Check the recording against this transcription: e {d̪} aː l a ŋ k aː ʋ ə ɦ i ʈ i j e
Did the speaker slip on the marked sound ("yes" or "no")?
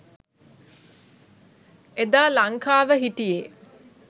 no